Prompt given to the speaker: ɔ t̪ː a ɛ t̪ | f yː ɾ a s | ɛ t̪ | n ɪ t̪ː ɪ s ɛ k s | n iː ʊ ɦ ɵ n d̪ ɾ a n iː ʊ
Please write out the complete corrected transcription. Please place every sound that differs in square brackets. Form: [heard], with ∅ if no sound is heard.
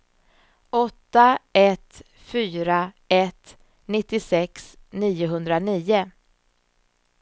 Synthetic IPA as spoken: ɔ t̪ː a ɛ t̪ | f yː ɾ a [∅] | ɛ t̪ | n ɪ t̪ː ɪ s ɛ k s | n iː ʊ ɦ ɵ n d̪ ɾ a n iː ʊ